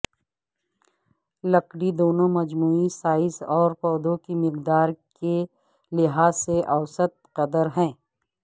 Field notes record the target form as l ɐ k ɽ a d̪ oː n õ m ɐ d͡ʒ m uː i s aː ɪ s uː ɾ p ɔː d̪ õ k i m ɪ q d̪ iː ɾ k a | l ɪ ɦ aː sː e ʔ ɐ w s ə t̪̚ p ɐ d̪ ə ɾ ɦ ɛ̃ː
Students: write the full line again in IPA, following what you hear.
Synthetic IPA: l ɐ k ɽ i d̪ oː n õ m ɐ d͡ʒ m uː i s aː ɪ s ɔː ɾ p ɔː d̪ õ k i m ɪ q d̪ aː ɾ k e | l ɪ ɦ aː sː e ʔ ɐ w s ə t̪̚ q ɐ d̪ ə ɾ ɦ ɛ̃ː